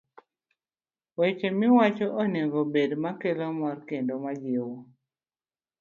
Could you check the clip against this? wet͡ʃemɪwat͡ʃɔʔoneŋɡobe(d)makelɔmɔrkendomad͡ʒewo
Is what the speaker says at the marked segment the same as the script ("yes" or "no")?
yes